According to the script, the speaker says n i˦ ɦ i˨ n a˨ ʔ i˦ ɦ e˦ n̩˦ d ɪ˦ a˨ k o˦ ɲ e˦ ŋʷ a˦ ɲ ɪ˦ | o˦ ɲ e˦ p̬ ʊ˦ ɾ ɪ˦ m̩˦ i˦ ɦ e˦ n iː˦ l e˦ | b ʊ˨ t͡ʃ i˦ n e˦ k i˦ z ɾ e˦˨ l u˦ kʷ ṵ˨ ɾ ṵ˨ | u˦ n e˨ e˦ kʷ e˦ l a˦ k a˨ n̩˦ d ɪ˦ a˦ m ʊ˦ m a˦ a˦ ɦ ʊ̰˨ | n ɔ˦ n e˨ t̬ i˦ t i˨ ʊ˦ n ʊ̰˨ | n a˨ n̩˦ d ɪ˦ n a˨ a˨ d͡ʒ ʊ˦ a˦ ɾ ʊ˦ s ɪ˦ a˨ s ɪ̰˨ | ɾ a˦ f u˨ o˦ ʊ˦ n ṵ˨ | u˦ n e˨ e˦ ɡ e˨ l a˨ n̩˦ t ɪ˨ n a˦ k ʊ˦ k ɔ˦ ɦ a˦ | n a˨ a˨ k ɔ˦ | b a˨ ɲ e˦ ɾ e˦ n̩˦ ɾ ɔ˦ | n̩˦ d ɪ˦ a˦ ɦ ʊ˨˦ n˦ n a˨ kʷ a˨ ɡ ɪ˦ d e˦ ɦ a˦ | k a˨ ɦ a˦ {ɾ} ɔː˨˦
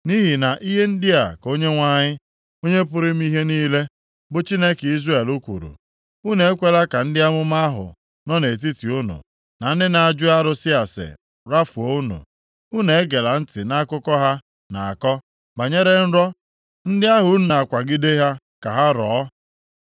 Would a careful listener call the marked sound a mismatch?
no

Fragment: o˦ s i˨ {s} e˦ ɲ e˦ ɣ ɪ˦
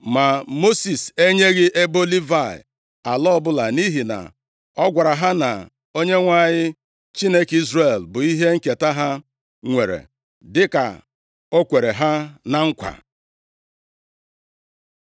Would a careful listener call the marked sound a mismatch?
no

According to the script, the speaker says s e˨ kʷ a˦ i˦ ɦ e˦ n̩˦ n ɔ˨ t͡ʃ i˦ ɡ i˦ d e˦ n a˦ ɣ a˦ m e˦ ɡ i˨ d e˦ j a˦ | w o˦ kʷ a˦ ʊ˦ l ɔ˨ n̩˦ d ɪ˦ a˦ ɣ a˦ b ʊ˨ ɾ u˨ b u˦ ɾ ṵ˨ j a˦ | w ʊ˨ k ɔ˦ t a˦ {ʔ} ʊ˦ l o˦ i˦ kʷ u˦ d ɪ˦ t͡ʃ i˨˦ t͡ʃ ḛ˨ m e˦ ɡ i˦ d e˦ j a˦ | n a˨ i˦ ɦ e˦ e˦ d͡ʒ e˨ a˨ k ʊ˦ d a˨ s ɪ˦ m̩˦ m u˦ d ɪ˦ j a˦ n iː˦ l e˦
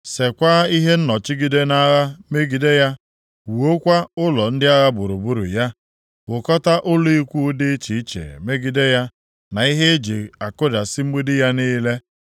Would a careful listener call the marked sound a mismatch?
no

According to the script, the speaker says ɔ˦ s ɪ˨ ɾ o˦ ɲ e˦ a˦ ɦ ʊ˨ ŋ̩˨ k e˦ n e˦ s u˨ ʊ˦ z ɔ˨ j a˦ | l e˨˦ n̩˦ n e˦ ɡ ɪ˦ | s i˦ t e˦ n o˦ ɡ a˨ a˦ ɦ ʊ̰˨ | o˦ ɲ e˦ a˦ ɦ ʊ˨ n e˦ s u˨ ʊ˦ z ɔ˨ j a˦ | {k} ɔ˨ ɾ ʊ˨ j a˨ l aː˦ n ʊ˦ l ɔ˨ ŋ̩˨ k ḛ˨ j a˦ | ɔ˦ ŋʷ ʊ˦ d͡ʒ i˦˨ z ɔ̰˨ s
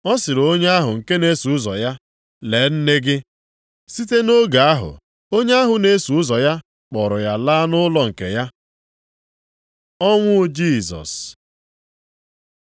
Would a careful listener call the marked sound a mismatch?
yes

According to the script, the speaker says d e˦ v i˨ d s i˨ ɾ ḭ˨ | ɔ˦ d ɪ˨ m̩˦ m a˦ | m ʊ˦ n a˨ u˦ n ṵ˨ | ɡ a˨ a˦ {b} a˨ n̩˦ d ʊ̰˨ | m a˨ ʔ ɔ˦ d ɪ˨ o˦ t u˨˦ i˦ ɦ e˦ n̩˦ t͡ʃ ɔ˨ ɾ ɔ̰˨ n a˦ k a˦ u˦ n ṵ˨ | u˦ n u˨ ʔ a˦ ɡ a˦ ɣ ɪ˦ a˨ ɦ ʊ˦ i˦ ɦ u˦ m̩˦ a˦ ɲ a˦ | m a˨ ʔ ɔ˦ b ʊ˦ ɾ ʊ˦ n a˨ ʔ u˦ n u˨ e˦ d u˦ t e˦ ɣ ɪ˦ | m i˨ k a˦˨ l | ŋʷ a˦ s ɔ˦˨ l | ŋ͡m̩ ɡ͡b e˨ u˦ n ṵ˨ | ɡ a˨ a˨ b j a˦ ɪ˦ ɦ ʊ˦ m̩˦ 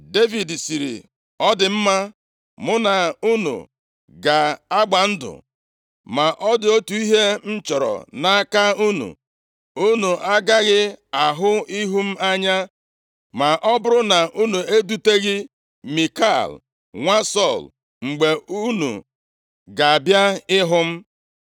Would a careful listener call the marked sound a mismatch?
yes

